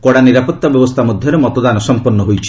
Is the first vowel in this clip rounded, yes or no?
yes